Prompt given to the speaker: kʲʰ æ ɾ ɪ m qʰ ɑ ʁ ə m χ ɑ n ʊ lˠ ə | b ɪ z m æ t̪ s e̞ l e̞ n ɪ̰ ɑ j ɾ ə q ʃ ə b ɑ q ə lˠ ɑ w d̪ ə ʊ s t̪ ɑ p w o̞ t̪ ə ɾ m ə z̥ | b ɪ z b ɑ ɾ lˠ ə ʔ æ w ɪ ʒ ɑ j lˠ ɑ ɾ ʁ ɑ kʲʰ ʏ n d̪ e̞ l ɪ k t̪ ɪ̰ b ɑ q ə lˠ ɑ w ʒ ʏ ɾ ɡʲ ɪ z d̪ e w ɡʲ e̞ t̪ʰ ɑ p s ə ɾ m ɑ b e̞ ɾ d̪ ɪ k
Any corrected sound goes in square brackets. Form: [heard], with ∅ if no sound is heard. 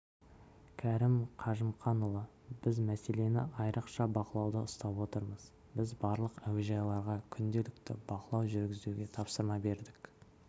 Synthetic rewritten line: kʲʰ æ ɾ ɪ m qʰ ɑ [ʒ] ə m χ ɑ n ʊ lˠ ə | b ɪ z m æ [∅] s e̞ l e̞ n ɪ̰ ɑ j ɾ ə q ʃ [ɑ] b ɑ q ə lˠ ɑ w d̪ ə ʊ s t̪ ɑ p w o̞ t̪ ə ɾ m ə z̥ | b ɪ z b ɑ ɾ lˠ ə [q] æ w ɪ ʒ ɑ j lˠ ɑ ɾ ʁ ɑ kʲʰ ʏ n d̪ e̞ l ɪ k t̪ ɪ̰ b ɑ q ə lˠ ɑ w ʒ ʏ ɾ ɡʲ ɪ z d̪ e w ɡʲ e̞ t̪ʰ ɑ p s ə ɾ m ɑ b e̞ ɾ d̪ ɪ k